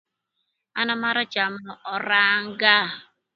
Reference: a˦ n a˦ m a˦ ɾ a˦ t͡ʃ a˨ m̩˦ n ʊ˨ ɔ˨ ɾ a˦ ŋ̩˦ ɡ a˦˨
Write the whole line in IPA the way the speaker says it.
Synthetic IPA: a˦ n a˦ m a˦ ɾ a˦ t͡ʃ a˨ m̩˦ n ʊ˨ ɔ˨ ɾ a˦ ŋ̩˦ ɡ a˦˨